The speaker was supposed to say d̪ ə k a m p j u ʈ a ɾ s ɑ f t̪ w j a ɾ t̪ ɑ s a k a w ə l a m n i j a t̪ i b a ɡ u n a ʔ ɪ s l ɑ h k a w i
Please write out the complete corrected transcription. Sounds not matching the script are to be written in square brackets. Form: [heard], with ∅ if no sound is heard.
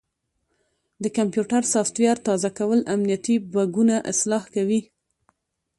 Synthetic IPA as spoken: d̪ ə k a m p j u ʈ a ɾ s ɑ f t̪ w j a ɾ t̪ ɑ [z] a k a w ə l a m n i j a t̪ i b a ɡ u n a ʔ ɪ s l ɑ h k a w i